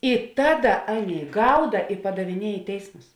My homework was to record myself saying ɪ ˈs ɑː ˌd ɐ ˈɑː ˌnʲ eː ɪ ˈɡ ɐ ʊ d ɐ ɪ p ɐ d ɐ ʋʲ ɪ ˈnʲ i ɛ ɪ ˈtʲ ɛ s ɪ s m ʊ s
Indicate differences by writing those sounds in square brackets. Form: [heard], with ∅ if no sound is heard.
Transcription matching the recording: ɪ [ˈt] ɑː ˌd ɐ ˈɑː ˌnʲ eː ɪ ˈɡ ɐ ʊ d ɐ ɪ p ɐ d ɐ ʋʲ ɪ ˈnʲ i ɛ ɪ ˈtʲ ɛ [∅] ɪ s m ʊ s